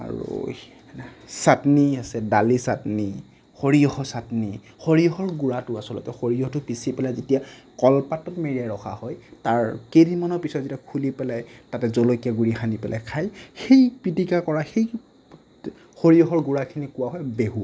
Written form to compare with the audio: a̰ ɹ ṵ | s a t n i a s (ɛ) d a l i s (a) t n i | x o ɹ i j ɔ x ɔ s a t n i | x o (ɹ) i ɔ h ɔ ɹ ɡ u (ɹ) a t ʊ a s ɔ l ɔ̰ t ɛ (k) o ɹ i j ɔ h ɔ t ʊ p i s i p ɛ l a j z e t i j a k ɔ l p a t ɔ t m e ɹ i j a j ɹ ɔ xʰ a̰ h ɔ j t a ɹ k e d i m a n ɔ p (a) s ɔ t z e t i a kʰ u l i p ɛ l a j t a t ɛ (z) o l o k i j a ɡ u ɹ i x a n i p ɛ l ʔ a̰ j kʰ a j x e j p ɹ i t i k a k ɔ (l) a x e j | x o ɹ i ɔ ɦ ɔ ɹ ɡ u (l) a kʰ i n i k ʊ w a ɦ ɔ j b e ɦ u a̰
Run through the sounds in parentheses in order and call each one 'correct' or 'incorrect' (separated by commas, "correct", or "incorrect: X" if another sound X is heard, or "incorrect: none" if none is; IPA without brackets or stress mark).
correct, correct, correct, correct, incorrect: x, incorrect: i, correct, incorrect: ɹ, incorrect: ɹ